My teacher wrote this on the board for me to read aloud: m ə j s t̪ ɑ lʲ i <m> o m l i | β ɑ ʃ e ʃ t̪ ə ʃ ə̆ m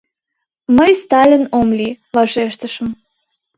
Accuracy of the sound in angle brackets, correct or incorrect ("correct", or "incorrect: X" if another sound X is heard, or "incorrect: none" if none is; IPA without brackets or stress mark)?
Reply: incorrect: n